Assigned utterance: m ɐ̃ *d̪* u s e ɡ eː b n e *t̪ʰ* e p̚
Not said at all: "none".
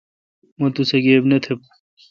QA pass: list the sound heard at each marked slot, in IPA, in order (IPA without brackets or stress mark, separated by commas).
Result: t̪, t̪ʰ